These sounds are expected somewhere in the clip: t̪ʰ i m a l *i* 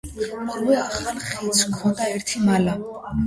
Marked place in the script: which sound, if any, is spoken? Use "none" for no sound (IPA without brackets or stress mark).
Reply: a